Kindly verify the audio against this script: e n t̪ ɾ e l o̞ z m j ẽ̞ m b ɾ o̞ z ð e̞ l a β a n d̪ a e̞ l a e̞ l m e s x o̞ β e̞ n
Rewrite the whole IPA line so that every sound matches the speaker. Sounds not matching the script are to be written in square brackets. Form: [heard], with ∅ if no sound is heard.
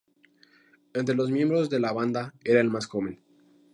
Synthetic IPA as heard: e n t̪ ɾ e l o̞ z m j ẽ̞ m b ɾ o̞ z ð e̞ l a β a n d̪ a e̞ [ɾ] a e̞ l m [a] s x o̞ β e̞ n